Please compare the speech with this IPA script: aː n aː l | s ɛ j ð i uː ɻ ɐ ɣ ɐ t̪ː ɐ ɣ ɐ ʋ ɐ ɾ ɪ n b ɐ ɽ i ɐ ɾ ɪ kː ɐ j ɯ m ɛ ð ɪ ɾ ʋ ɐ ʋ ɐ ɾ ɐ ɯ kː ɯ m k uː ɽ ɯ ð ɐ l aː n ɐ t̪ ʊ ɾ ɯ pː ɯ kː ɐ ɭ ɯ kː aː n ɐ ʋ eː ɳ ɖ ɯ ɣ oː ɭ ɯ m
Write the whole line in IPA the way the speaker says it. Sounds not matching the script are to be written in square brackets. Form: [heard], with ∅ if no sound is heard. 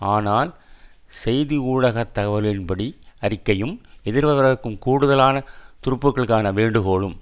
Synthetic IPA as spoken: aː n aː l | s ɛ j ð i uː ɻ ɐ ɣ ɐ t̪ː ɐ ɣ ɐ ʋ ɐ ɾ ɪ n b ɐ ɽ i ɐ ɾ ɪ kː ɐ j ɯ m ɛ ð ɪ ɾ ʋ ɐ ʋ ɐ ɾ ɐ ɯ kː ɯ m k uː ɽ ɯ ð ɐ l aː n ɐ t̪ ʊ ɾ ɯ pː ɯ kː ɐ ɭ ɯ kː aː n ɐ ʋ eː ɳ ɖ ɯ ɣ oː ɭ ɯ m